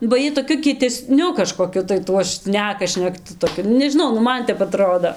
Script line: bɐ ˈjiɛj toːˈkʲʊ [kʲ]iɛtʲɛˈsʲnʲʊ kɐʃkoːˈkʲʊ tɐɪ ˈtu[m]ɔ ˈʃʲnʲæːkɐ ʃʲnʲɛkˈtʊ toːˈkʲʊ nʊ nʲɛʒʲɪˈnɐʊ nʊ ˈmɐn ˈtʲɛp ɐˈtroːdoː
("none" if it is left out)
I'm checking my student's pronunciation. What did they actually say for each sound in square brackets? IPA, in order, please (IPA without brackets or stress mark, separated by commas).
kʲ, none